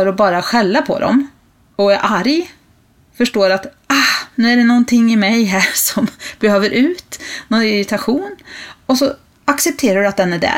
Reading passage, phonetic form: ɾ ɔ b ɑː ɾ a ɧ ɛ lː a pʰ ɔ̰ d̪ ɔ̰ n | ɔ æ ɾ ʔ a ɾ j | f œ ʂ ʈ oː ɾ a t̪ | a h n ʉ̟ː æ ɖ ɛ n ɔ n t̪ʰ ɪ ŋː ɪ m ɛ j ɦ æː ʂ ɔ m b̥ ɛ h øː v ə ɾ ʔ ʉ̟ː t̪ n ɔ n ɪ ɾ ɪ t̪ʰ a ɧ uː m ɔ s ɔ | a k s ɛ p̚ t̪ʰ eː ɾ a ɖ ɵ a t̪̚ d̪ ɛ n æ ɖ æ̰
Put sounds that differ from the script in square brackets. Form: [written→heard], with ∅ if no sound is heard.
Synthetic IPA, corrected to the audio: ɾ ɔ b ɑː ɾ a ɧ ɛ lː a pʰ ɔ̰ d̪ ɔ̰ [n→m] | ɔ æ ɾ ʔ a ɾ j | f œ ʂ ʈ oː ɾ a t̪ | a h n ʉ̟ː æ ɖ ɛ n ɔ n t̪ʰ ɪ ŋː ɪ m ɛ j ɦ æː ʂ ɔ m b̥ ɛ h øː v ə ɾ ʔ ʉ̟ː t̪ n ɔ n ɪ ɾ ɪ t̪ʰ a ɧ uː [m→n] ɔ s ɔ | a k s ɛ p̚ t̪ʰ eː ɾ a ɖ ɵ a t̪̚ d̪ ɛ n æ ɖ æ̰